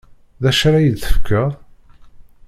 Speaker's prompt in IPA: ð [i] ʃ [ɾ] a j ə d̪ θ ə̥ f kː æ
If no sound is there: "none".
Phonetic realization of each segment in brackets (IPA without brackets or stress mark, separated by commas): æ, ɾ